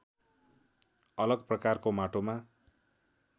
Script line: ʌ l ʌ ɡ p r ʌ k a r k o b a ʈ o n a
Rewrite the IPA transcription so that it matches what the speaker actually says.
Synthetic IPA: ʌ l ʌ ɡ p r ʌ k a r k o m a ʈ o m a